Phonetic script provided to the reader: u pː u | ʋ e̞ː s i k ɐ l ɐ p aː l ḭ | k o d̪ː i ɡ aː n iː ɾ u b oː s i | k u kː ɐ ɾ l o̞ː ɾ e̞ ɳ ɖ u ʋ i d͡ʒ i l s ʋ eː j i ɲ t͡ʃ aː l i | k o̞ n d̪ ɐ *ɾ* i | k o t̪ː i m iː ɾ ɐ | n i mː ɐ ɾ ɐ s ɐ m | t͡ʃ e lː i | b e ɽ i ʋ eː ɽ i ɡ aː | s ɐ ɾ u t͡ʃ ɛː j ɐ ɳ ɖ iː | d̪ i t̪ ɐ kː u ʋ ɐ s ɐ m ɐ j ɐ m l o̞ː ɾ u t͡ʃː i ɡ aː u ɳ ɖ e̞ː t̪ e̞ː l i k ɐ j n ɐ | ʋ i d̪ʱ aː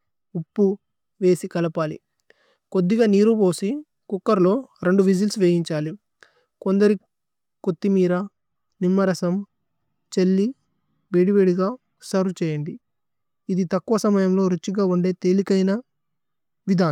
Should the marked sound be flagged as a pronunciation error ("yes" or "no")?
no